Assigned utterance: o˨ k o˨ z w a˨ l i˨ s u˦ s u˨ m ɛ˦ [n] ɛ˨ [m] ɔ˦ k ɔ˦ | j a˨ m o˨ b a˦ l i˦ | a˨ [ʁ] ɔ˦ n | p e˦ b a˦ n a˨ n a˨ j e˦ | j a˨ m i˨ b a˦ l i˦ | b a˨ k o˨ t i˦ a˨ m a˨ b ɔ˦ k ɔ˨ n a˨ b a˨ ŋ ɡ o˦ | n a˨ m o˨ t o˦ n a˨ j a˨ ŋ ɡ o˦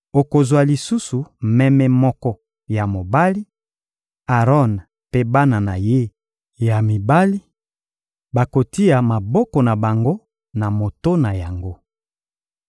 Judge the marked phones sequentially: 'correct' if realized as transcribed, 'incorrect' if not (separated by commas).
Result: incorrect, correct, correct